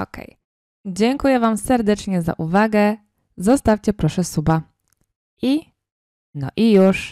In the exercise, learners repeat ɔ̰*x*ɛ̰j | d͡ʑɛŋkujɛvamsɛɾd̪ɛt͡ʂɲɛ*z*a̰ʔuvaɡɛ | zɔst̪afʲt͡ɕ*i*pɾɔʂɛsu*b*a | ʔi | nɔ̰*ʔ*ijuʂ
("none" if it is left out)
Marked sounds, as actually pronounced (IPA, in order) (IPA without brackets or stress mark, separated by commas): k, z, ɛ, b, ʔ